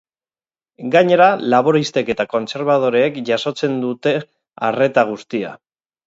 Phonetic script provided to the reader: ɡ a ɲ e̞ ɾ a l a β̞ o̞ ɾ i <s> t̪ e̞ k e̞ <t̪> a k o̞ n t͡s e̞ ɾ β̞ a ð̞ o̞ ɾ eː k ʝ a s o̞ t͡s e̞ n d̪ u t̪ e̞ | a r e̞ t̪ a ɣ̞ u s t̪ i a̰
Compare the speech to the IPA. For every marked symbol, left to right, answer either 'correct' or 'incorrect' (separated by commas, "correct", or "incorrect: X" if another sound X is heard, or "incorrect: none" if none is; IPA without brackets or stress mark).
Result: correct, correct